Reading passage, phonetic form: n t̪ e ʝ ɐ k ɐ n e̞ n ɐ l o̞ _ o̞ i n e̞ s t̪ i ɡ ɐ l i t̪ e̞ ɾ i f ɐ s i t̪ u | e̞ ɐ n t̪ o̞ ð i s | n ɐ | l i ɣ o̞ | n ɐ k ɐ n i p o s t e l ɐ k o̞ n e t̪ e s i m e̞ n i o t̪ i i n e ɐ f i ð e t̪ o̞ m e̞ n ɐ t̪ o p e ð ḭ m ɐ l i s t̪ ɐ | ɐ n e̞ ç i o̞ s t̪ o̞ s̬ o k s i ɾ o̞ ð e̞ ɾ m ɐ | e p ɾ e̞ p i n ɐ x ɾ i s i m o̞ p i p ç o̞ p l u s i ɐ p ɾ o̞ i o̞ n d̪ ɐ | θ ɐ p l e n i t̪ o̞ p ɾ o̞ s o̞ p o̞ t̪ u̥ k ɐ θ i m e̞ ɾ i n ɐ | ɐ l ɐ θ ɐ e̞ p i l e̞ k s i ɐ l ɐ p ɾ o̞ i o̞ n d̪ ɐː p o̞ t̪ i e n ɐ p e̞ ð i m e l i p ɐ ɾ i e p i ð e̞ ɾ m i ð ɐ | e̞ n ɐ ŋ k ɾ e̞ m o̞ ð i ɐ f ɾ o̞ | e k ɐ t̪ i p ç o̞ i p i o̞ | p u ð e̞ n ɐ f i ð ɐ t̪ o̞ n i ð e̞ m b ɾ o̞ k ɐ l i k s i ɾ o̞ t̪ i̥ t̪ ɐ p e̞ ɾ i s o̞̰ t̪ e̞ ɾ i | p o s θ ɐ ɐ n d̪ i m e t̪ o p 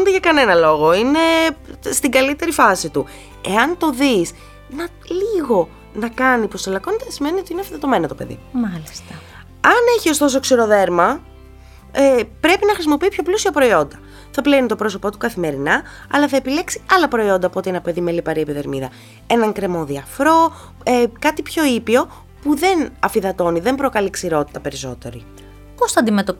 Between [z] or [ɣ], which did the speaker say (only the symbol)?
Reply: ɣ